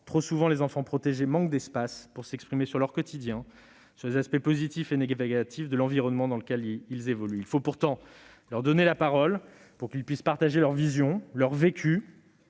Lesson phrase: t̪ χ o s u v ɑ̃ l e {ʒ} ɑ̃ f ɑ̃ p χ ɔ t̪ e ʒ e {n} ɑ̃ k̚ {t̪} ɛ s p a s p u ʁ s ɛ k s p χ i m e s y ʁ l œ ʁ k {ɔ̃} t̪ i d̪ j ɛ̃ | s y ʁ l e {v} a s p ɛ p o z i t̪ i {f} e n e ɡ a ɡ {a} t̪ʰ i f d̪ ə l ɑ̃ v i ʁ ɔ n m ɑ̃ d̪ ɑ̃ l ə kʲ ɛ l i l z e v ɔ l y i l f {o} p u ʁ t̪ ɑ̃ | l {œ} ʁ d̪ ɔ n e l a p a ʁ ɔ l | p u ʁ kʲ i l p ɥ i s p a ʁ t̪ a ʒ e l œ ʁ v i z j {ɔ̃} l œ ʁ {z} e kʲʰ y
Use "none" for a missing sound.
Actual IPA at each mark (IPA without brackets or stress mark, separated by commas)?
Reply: z, m, d̪, ɔ, z, f, a, o, œ, ɔ̃, v